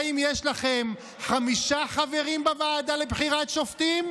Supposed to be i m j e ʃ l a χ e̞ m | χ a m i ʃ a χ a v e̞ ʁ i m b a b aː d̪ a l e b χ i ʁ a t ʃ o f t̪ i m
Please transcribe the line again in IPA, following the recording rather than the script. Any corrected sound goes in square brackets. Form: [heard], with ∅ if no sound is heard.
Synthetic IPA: i m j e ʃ l a χ e̞ m | χ a m i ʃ a χ a v e̞ ʁ i m b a [v] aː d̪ a l e b χ i ʁ a t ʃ o f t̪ i m